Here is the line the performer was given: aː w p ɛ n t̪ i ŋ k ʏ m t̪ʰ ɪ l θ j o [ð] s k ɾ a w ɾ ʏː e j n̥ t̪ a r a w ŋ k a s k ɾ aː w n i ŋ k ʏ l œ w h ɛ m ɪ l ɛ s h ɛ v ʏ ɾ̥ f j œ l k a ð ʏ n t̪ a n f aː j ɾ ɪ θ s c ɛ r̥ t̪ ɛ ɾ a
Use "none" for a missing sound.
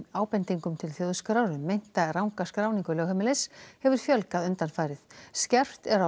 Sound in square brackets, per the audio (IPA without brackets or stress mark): ð